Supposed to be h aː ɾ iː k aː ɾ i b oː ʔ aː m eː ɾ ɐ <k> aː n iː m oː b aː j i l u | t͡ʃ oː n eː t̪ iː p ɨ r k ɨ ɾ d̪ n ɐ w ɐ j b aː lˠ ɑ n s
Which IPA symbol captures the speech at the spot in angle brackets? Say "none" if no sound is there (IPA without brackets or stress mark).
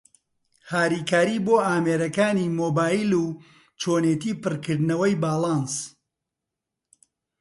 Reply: k